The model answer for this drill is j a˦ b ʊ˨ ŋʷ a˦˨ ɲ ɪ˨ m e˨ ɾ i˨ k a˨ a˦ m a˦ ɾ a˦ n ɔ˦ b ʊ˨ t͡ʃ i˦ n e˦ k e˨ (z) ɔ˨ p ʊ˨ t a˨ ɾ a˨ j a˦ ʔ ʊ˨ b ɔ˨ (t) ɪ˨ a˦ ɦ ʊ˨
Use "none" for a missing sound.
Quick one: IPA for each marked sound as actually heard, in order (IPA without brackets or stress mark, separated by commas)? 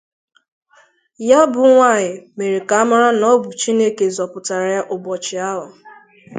z, t͡ʃ